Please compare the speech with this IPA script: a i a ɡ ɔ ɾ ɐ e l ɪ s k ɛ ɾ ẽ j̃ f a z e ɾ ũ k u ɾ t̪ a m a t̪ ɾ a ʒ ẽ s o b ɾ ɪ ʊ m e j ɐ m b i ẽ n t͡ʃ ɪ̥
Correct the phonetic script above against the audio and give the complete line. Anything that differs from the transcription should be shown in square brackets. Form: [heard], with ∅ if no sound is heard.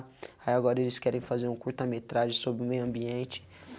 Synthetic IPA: a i a ɡ ɔ ɾ ɐ e l ɪ s k ɛ ɾ ẽ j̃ f a z e ɾ ũ k u ɾ t̪ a m [e] t̪ ɾ a ʒ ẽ s o b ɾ ɪ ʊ m e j [ɐ̃] m b i ẽ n t͡ʃ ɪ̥